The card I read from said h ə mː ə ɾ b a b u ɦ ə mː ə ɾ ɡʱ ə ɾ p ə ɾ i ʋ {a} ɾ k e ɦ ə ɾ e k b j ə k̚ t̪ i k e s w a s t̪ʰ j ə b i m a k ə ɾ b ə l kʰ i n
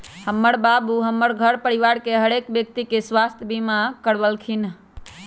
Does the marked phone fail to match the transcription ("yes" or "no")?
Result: no